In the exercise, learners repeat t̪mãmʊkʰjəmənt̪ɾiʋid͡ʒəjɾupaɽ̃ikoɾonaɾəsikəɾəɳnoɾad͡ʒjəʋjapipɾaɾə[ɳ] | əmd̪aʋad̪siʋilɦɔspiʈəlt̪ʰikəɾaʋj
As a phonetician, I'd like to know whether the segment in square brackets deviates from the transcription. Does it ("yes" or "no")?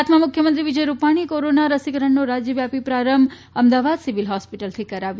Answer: yes